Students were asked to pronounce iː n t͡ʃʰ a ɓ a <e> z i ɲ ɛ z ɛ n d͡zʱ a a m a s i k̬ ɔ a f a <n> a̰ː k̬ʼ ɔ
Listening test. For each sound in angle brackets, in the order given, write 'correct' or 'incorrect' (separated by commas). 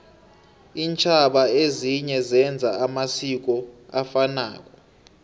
correct, correct